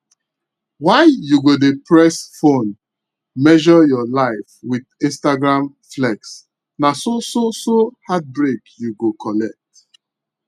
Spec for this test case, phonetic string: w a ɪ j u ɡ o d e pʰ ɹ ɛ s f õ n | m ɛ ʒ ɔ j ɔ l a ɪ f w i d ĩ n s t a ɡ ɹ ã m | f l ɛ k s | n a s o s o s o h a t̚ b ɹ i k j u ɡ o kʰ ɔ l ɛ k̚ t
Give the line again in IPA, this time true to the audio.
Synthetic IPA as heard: w a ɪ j u ɡ o d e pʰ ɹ ɛ s f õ n | m ɛ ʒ ɔ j ɔ l a ɪ f w i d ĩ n s t a ɡ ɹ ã m | f l ɛ k s | n a s o s o s o h a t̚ b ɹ e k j u ɡ o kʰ ɔ l ɛ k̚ t